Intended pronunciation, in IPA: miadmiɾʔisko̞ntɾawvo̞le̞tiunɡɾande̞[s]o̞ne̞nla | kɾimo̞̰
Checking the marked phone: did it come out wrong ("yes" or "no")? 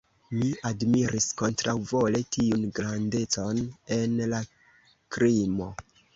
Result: yes